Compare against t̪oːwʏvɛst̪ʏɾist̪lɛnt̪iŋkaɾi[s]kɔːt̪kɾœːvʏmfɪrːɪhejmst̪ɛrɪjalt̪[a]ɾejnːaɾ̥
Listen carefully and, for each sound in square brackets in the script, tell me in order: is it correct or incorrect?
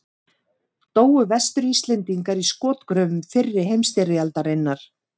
correct, correct

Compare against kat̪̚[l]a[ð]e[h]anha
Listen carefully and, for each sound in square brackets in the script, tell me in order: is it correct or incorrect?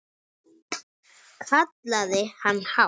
correct, correct, correct

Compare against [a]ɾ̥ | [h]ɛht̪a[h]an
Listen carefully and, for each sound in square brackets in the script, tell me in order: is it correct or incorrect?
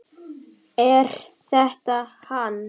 incorrect: ɛ, incorrect: θ, correct

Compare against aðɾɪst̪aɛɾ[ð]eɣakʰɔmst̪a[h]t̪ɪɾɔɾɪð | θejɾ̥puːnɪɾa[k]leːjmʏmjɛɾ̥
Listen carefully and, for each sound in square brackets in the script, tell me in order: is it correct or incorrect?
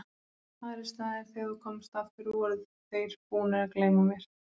incorrect: θ, incorrect: f, correct

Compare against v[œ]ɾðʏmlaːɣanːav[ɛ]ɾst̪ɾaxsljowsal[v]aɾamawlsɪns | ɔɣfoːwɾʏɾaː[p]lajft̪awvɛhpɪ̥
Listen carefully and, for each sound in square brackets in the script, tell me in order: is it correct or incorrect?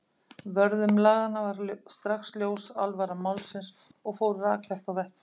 correct, incorrect: a, correct, incorrect: k

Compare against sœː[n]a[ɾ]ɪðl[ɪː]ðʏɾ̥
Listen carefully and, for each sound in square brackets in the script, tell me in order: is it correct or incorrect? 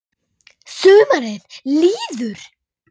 incorrect: m, correct, incorrect: iː

